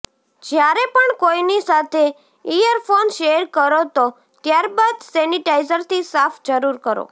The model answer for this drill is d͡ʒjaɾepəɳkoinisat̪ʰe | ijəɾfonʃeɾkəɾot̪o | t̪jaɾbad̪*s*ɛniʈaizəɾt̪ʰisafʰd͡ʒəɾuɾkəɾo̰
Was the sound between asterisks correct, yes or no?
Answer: yes